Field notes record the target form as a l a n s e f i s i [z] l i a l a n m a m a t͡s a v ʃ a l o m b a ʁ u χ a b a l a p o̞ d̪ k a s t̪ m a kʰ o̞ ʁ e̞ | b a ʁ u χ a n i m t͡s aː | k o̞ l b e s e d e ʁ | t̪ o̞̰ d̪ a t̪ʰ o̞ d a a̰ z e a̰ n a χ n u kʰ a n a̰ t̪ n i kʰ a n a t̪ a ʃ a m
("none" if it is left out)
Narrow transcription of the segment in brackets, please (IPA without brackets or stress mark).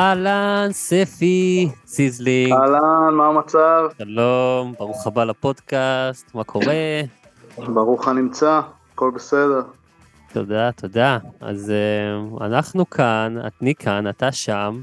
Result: z